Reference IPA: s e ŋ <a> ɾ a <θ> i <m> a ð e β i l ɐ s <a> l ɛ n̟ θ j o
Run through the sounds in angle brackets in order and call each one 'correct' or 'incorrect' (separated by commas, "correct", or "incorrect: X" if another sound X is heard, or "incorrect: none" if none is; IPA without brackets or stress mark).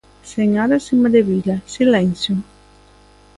correct, incorrect: s, correct, incorrect: i